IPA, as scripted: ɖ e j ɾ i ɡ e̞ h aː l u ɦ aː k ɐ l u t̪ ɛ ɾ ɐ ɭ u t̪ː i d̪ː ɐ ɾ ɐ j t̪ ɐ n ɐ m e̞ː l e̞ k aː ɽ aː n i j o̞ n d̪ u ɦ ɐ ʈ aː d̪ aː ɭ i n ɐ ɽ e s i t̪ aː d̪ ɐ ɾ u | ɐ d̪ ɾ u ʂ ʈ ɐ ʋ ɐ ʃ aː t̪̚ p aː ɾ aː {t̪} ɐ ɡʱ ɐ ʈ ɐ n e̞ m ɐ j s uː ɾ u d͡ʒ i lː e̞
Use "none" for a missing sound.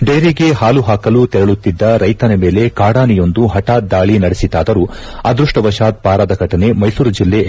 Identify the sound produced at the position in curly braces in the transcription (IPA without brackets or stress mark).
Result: d̪